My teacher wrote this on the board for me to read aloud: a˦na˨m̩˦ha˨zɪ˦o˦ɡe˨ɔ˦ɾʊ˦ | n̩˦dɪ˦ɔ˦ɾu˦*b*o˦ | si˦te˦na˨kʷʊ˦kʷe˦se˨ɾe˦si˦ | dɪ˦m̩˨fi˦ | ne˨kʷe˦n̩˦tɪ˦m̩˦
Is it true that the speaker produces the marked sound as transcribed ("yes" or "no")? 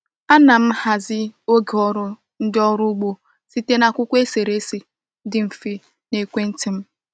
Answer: no